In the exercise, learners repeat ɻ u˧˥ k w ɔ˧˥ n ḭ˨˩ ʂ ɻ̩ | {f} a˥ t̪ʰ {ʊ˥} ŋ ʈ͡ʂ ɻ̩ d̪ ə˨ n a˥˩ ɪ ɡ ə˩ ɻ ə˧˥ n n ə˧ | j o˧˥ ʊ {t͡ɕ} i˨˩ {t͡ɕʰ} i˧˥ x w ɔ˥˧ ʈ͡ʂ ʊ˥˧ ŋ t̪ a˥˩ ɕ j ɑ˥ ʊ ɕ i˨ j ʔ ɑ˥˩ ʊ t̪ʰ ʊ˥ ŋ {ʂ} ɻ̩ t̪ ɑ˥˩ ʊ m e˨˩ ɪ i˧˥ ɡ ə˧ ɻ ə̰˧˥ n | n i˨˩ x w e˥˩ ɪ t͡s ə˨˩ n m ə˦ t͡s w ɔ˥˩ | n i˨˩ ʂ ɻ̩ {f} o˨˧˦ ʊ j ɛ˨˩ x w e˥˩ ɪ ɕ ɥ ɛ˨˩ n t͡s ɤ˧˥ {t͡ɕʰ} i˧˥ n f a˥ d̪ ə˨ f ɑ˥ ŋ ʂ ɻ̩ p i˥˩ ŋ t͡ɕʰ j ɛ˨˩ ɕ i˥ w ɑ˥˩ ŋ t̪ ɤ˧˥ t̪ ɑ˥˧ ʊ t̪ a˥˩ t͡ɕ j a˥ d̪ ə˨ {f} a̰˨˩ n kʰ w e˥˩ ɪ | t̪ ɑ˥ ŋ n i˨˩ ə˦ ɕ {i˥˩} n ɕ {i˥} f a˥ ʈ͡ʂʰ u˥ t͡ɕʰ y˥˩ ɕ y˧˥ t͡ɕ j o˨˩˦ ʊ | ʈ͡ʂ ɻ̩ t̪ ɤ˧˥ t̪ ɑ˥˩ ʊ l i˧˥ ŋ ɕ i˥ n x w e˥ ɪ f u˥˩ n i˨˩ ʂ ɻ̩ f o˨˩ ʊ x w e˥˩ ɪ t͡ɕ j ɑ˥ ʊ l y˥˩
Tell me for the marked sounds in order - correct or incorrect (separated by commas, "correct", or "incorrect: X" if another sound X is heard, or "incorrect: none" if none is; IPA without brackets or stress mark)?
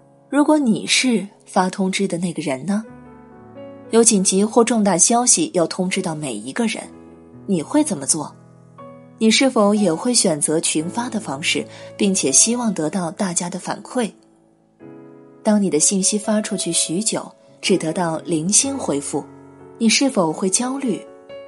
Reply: correct, correct, correct, incorrect: t͡ɕ, incorrect: ʈ͡ʂ, correct, correct, correct, correct, correct